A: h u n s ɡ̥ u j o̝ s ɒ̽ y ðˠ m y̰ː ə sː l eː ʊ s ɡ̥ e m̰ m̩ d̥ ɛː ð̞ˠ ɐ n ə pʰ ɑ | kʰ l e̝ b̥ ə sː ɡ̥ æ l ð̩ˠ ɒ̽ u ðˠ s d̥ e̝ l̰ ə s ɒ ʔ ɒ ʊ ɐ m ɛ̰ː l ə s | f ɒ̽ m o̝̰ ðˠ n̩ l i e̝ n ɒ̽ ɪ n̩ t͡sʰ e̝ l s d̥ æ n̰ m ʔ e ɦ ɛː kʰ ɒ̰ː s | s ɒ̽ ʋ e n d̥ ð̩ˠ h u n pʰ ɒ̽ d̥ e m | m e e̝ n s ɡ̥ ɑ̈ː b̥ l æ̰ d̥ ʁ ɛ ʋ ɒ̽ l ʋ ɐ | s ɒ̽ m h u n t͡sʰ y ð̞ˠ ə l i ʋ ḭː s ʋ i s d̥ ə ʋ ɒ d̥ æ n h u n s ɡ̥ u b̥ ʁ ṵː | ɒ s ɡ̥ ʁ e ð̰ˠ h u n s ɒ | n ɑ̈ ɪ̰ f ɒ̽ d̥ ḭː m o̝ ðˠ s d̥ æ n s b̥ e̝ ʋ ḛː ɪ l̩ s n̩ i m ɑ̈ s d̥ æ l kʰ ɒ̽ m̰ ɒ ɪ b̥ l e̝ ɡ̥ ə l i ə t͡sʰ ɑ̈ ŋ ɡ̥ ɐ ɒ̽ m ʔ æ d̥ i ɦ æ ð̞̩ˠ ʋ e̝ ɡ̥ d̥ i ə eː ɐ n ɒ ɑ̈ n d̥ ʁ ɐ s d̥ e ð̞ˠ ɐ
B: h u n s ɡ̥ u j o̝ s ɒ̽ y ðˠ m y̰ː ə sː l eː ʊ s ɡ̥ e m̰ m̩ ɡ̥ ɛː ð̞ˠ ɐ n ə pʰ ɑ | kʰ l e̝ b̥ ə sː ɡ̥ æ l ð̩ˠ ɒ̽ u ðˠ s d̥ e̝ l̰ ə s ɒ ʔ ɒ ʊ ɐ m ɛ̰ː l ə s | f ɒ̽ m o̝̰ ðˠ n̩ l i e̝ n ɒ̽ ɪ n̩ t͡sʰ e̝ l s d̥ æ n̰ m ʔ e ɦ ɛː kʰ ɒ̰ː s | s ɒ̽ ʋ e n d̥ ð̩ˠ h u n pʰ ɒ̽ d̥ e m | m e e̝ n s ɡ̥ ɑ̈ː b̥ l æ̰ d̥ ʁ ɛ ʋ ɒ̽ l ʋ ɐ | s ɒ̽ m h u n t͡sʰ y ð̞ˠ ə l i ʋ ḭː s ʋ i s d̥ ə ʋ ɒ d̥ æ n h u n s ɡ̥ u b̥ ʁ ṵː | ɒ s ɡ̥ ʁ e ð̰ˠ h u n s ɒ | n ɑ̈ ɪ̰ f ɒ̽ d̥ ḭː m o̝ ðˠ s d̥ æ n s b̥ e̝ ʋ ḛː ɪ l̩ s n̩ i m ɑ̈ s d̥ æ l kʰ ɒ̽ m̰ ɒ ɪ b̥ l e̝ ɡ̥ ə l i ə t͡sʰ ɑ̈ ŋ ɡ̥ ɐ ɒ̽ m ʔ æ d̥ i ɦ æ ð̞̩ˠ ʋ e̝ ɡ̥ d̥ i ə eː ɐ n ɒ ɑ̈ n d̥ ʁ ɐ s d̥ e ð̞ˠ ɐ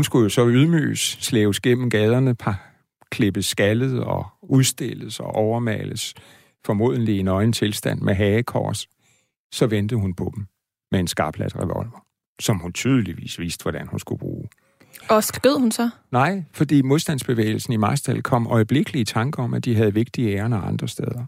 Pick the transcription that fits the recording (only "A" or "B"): B